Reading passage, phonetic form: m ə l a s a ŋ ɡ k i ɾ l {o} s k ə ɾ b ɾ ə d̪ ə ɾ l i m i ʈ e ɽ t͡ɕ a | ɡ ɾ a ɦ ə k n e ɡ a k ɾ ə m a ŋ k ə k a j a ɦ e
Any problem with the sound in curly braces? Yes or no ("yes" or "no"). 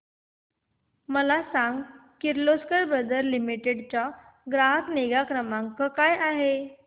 no